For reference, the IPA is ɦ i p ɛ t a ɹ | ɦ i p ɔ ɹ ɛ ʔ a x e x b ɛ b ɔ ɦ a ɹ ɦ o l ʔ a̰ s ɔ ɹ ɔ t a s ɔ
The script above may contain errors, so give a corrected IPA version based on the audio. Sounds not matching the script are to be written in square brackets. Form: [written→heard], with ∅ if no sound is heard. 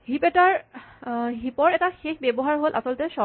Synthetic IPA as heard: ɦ i p ɛ t a ɹ | ɦ i p ɔ ɹ ɛ [ʔ→t] a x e x b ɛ b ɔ ɦ a ɹ ɦ o l ʔ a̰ s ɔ [ɹ→l] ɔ t [a→ɛ] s ɔ